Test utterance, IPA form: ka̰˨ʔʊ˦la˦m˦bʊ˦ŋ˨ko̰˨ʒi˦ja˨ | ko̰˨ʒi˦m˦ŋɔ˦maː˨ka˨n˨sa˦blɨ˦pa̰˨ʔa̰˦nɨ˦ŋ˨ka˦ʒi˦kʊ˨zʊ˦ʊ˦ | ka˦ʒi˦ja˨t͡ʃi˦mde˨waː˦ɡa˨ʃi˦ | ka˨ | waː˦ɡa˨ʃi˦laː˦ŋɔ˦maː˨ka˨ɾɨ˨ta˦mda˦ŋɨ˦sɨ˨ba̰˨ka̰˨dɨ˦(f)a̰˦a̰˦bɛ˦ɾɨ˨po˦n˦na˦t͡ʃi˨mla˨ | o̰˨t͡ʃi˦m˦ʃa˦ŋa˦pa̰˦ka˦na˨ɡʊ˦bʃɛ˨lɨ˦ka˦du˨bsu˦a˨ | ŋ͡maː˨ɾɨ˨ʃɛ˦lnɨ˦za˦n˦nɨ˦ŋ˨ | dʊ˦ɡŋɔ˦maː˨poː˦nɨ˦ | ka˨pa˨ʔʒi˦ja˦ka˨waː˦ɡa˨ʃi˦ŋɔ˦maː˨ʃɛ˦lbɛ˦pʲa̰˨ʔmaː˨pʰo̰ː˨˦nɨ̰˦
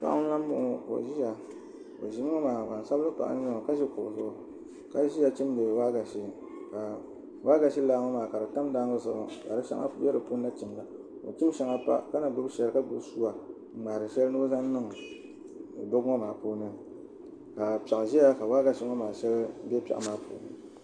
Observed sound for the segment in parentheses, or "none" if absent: ʃ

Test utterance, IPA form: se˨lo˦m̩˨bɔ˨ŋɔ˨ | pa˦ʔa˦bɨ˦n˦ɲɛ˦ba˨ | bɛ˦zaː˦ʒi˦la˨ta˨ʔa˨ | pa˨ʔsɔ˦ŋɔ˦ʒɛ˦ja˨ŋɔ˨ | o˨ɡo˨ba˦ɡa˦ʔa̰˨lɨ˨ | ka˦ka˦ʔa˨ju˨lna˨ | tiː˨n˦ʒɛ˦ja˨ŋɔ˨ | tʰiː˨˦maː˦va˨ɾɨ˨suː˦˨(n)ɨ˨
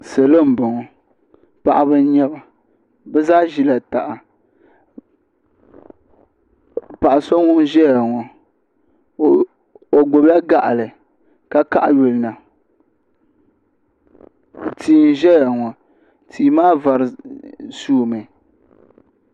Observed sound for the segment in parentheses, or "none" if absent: m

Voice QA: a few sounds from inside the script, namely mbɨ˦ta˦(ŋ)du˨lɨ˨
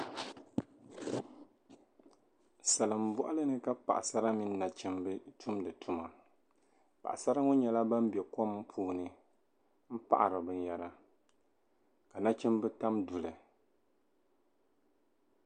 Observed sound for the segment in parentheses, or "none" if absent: m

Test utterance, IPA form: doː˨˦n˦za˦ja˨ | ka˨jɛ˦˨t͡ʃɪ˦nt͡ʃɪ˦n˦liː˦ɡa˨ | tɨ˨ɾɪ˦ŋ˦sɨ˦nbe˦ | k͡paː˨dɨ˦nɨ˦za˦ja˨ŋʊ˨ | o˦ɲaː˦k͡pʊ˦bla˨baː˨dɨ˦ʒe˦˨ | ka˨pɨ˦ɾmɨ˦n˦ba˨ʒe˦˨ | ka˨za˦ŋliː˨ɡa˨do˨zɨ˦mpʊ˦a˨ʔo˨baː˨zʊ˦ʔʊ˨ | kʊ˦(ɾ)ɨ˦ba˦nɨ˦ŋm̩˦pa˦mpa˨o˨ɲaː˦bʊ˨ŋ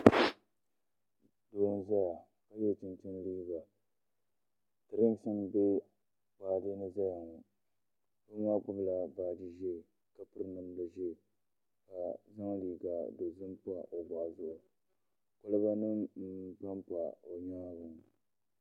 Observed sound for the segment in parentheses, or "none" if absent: l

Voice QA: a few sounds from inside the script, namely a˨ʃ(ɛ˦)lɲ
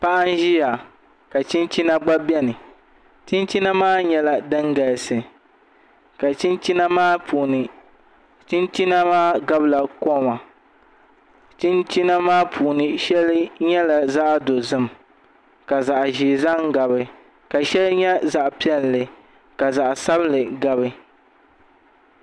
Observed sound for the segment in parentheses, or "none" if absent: ɛ˦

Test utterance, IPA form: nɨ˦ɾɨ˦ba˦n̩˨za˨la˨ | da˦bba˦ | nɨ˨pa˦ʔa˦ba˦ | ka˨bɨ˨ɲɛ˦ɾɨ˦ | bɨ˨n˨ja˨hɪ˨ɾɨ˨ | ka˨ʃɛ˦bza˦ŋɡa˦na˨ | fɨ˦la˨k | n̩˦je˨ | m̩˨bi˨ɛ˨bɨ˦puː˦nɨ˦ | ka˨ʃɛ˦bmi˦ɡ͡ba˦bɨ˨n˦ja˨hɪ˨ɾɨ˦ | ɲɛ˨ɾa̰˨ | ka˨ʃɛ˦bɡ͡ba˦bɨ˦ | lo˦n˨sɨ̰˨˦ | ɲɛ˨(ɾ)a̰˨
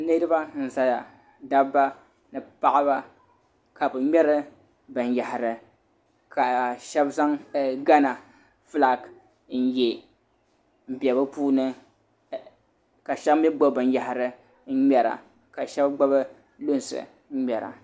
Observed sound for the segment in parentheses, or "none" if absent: ɾ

